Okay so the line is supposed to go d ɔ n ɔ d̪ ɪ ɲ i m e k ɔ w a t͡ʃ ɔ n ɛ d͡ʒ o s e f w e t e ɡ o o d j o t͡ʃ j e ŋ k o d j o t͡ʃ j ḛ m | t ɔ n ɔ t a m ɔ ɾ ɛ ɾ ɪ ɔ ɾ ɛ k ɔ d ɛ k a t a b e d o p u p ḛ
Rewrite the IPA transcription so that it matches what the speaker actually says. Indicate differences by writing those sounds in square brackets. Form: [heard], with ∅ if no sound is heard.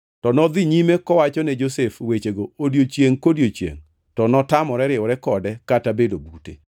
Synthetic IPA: [t] ɔ n ɔ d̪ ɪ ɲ i m e k ɔ w a t͡ʃ ɔ n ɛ d͡ʒ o s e f w e [t͡ʃ] e ɡ o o d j o t͡ʃ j e ŋ k o d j o t͡ʃ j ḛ [ŋ] | t ɔ n ɔ t a m ɔ ɾ ɛ ɾ ɪ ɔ ɾ ɛ k ɔ d ɛ k a t a b e d o [b] u [t] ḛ